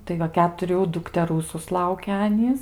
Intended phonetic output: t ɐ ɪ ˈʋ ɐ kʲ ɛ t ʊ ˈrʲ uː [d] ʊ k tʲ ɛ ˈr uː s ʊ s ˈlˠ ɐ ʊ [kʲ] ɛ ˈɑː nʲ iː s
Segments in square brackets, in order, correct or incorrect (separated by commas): correct, correct